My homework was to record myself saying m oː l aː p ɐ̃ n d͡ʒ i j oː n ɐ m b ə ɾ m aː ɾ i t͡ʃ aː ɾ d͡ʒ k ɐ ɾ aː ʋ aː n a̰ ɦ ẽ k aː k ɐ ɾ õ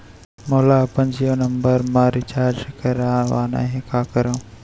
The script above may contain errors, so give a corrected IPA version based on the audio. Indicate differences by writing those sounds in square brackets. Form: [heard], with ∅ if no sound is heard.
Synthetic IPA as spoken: m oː l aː p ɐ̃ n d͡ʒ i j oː n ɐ m b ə ɾ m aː ɾ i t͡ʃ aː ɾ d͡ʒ k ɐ ɾ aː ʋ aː n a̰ ɦ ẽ k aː k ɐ ɾ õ